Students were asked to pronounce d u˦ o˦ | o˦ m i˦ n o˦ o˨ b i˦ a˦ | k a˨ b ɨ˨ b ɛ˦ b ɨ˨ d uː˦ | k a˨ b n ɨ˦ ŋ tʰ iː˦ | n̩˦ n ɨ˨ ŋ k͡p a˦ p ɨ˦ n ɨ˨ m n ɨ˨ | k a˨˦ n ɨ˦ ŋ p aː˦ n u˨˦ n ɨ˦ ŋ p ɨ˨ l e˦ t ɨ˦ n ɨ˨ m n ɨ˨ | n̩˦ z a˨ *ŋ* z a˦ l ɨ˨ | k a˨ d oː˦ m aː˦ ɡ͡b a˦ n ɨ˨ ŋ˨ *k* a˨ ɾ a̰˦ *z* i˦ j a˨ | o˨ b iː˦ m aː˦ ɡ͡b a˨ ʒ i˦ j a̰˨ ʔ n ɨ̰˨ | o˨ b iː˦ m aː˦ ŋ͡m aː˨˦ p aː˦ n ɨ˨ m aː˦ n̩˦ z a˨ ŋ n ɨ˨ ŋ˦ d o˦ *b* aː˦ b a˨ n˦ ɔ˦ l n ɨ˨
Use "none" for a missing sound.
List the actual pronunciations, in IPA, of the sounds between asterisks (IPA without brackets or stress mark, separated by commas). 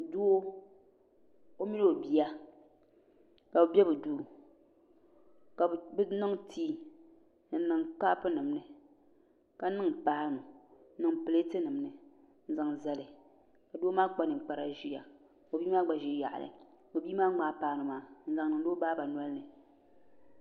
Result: ŋ, k͡p, ʒ, b